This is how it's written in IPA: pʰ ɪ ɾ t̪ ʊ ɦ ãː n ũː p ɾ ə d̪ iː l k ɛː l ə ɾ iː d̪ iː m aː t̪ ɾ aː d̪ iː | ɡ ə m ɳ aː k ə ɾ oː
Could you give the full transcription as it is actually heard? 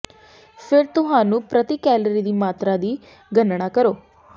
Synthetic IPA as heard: pʰ ɪ ɾ t̪ ʊ ɦ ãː n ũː p ɾ ə t̪ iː k ɛː l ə ɾ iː d̪ iː m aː t̪ ɾ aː d̪ iː | ɡ ə n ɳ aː k ə ɾ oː